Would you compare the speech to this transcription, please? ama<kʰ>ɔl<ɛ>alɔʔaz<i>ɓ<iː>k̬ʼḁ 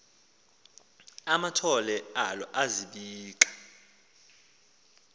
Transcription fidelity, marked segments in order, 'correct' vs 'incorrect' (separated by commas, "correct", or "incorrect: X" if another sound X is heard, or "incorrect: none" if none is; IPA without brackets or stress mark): incorrect: tʰ, correct, correct, correct